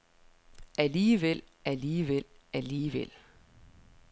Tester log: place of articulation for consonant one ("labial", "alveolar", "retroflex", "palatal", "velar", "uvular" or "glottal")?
alveolar